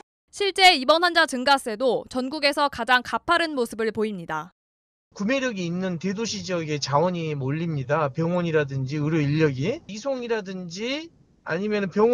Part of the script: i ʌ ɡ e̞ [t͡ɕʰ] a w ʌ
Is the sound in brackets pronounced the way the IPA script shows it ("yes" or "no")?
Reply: no